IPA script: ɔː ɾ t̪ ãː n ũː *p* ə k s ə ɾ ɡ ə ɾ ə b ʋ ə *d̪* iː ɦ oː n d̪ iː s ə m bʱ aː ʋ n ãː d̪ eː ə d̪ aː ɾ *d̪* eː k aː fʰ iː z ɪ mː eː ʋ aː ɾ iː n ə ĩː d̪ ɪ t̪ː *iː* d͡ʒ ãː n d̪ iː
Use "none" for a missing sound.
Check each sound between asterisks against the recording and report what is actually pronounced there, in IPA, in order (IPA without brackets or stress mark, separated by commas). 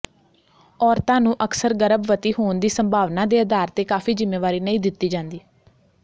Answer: ʔ, t̪, t̪, iː